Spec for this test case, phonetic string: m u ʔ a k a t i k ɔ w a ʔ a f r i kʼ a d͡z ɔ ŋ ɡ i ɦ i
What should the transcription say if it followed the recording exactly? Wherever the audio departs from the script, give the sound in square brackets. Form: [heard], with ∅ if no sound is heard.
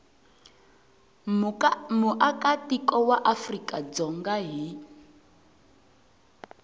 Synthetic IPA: m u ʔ a k a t i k ɔ w a ʔ a f r i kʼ a d͡z ɔ ŋ ɡ [a] ɦ i